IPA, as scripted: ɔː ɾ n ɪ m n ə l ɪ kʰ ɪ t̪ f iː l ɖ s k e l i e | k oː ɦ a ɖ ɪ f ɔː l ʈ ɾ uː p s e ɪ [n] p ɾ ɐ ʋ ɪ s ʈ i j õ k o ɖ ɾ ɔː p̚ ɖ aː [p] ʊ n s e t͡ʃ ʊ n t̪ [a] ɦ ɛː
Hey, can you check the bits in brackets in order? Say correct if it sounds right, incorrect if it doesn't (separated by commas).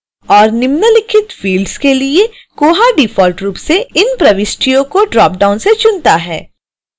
correct, incorrect, correct